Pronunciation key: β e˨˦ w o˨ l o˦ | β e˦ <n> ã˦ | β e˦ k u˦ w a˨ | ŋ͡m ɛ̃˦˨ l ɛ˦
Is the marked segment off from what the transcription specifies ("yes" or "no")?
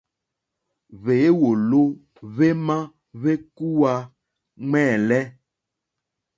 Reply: yes